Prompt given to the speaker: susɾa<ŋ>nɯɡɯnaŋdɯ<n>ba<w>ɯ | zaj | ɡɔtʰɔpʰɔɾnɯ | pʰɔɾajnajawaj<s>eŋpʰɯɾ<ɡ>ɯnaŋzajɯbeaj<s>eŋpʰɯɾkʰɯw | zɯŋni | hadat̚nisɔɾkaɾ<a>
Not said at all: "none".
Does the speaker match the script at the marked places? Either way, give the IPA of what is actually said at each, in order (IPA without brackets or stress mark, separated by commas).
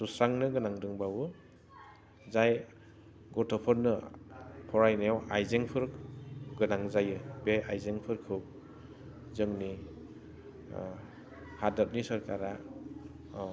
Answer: ŋ, ŋ, w, z, ɡ, z, a